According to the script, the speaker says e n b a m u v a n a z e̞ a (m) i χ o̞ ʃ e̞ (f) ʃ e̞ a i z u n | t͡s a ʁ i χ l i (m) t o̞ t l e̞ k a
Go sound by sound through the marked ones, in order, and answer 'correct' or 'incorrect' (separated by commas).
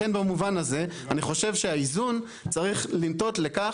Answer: incorrect, incorrect, correct